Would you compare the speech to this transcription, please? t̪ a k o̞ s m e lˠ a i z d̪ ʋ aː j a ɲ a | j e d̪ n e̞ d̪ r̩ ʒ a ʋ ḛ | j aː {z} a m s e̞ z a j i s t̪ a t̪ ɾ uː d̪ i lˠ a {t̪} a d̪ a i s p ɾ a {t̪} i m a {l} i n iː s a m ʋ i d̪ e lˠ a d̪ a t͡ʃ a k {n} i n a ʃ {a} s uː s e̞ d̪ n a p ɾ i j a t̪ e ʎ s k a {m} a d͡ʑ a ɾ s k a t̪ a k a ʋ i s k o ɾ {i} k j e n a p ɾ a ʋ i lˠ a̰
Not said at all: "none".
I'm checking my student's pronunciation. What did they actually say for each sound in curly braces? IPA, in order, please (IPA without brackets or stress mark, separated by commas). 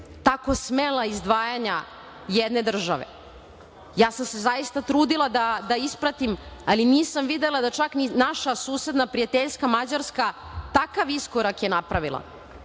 s, d̪, t̪, l, n, a, m, a